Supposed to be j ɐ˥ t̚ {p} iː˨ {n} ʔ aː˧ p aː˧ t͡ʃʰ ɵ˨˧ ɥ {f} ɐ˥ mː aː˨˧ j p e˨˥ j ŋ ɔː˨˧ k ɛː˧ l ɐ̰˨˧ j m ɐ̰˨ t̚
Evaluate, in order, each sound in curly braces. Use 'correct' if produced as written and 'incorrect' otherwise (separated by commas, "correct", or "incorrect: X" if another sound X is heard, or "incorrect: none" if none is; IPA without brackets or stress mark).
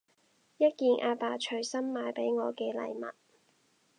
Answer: incorrect: k, correct, incorrect: s